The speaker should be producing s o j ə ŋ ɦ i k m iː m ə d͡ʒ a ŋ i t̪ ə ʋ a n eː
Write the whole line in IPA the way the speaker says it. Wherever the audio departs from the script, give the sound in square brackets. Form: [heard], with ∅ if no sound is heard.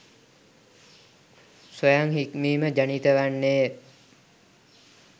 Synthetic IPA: s o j [a] ŋ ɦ i k m iː m ə d͡ʒ a [n] i t̪ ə ʋ a [nː] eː